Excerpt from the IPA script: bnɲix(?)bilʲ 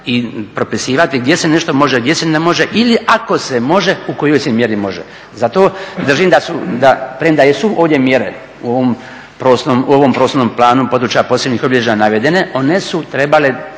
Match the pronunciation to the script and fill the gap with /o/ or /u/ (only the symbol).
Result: o